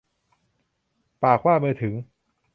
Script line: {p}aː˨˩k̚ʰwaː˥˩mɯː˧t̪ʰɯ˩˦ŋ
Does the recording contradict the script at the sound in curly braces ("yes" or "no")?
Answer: no